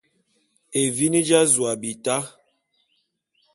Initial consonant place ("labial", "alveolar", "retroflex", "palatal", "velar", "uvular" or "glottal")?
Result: labial